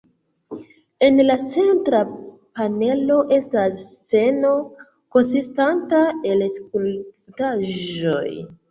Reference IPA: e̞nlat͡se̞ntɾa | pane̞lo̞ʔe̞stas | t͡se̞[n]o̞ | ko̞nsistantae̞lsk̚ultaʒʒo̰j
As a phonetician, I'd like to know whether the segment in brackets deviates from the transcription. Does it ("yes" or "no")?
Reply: no